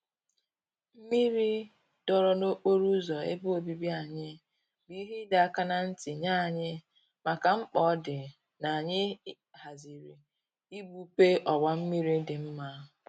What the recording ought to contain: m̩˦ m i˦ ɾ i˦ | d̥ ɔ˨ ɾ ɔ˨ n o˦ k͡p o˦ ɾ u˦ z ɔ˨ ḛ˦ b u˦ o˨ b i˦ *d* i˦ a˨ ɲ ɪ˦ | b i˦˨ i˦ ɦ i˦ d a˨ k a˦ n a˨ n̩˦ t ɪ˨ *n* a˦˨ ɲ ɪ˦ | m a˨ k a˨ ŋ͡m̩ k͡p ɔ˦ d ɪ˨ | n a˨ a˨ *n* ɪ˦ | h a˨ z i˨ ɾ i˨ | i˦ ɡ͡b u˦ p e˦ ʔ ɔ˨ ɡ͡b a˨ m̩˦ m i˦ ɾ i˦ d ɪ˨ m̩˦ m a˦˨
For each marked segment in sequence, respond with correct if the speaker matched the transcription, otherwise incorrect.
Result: incorrect, incorrect, incorrect

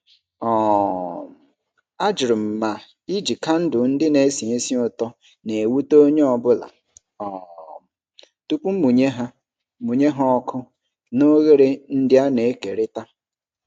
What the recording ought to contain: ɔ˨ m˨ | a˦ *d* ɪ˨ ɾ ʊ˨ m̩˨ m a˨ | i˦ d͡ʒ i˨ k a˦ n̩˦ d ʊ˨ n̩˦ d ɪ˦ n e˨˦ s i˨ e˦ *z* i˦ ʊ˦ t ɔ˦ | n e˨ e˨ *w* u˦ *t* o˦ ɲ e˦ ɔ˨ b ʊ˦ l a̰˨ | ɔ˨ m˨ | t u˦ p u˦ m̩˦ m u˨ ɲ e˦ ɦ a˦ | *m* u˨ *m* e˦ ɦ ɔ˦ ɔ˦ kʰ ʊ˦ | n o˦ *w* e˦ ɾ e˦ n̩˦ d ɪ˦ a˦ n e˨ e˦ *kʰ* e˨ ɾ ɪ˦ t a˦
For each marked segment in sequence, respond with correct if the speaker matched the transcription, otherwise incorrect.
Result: incorrect, incorrect, correct, correct, correct, incorrect, incorrect, incorrect

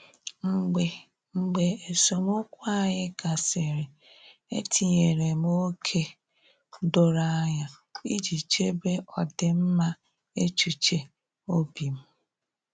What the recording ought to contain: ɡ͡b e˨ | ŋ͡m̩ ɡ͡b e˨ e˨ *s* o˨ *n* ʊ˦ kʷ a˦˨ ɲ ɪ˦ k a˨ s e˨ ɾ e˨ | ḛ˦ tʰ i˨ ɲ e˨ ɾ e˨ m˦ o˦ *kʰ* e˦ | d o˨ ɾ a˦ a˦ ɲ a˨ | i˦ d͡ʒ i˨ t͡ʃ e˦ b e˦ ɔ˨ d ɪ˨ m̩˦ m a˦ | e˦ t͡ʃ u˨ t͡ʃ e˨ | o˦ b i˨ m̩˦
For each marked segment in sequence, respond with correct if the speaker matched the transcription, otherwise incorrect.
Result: correct, incorrect, correct

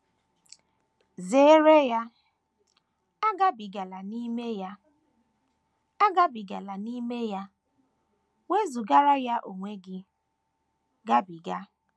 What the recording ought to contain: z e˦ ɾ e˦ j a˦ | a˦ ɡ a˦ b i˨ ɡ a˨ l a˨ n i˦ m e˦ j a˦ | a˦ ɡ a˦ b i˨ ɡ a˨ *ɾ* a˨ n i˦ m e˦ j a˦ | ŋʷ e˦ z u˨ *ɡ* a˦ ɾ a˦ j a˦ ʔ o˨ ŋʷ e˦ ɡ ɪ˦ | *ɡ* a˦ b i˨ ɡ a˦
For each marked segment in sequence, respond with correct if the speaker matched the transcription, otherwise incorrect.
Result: incorrect, correct, correct

